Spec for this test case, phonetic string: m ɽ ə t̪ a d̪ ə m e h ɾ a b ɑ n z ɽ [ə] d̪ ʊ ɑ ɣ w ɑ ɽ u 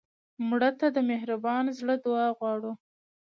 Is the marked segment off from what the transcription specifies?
no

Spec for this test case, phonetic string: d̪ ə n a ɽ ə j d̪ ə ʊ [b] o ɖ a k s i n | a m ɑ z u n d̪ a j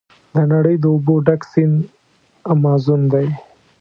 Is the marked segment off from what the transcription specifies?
no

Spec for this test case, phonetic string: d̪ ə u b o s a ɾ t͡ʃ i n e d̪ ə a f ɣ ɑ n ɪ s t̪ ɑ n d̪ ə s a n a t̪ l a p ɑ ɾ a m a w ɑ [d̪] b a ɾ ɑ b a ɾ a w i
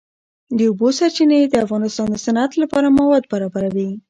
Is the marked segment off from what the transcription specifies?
no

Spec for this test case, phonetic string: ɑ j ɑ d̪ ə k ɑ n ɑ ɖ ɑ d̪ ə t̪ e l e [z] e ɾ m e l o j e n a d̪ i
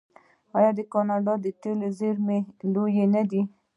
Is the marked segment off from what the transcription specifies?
no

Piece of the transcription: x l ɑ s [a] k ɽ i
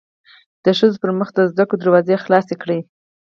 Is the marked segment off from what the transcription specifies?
yes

